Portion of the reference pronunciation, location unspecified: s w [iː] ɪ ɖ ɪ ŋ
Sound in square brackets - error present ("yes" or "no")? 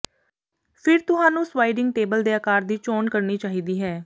yes